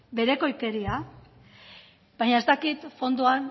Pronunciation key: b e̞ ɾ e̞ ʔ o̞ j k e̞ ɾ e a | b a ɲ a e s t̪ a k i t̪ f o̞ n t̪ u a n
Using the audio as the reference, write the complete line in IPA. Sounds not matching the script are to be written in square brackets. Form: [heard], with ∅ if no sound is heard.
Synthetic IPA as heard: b e̞ ɾ e̞ [k] o̞ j k e̞ ɾ [i] a | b a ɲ a e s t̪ a k i t̪ f o̞ n [d̪] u a n